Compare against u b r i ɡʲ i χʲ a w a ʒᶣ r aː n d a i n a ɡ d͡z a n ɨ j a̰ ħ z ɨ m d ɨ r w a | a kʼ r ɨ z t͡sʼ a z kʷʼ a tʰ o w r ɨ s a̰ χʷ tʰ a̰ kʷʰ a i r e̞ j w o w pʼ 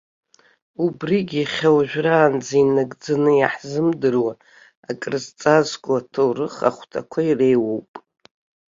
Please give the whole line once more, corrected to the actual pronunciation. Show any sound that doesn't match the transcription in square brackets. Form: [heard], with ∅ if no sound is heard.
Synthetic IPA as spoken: u b r i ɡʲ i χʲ a w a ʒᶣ r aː n [d͡z] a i n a ɡ d͡z a n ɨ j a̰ ħ z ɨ m d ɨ r w a | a kʼ r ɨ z t͡sʼ a z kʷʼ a tʰ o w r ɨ [χ] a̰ χʷ tʰ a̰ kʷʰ a i r e̞ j w o w pʼ